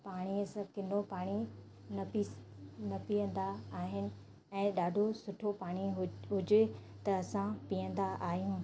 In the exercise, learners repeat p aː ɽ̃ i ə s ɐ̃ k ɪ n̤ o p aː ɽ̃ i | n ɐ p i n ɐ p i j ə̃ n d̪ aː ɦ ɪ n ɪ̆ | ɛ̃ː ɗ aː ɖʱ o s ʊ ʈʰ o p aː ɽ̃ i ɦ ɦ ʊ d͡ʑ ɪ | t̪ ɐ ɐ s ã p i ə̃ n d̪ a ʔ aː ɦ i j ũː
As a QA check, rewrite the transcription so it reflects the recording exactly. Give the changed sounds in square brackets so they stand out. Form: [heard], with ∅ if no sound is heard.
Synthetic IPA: p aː ɽ̃ i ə s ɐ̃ k ɪ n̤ o p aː ɽ̃ i | n ɐ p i n ɐ p i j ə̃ n d̪ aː ɦ ɪ n ɪ̆ | ɛ̃ː ɗ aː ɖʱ o s ʊ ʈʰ o p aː ɽ̃ i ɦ ɦ ʊ d͡ʑ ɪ | t̪ ɐ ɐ s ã p i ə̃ n d̪ a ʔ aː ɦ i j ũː